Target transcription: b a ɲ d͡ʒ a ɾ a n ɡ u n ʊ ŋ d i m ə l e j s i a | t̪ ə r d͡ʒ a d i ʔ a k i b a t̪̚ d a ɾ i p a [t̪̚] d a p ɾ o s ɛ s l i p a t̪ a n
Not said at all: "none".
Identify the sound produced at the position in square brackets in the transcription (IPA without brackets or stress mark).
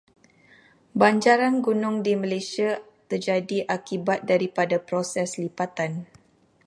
none